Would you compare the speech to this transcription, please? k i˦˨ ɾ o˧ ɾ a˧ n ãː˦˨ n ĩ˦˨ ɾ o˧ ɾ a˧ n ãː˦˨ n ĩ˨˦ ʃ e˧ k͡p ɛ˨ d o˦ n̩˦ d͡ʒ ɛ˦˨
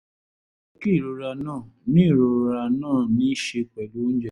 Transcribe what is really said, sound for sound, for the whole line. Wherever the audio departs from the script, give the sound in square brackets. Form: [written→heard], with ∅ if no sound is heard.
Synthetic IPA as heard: k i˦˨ ɾ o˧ ɾ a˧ n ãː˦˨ n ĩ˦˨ ɾ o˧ ɾ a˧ n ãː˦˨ n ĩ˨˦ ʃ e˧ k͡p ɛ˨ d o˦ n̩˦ d͡ʒ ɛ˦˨

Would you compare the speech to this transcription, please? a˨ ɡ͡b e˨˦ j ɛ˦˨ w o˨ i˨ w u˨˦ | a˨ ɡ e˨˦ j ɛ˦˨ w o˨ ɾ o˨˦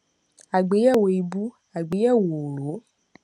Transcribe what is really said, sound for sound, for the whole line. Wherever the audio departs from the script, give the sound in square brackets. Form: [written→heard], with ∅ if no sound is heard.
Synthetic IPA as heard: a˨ ɡ͡b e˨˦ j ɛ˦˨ w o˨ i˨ [w→b] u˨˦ | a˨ [ɡ→ɡ͡b] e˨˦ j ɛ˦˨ w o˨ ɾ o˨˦

